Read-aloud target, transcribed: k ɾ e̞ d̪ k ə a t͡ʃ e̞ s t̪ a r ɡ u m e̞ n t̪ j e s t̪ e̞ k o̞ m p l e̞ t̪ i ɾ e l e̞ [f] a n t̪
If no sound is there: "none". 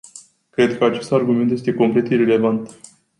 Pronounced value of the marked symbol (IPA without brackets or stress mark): v